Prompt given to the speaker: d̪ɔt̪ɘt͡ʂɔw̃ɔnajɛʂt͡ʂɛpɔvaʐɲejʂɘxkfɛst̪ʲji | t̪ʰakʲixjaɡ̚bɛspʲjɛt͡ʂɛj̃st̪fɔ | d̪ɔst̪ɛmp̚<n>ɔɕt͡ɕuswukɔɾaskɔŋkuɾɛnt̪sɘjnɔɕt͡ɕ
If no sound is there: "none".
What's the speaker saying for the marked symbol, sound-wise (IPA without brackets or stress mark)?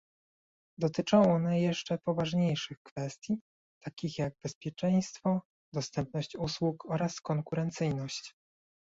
n